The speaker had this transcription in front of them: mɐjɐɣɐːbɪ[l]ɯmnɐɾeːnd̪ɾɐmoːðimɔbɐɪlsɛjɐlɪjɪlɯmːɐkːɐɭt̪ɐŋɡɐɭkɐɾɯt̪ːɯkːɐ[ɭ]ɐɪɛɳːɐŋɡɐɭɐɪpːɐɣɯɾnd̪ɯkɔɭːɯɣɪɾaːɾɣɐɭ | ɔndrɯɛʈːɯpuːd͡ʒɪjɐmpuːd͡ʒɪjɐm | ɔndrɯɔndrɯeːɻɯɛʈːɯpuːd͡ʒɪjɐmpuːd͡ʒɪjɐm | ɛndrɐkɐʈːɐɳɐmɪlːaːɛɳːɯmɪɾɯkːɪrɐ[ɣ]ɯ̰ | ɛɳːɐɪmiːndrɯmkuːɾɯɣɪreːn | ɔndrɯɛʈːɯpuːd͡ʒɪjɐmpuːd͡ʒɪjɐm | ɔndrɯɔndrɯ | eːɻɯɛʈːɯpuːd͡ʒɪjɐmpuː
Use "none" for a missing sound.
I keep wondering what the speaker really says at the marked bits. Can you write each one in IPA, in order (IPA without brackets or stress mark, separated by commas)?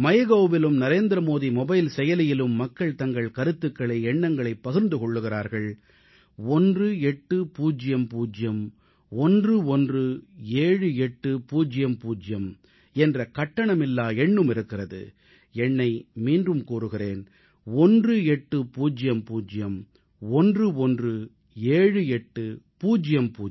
l, ɭ, ð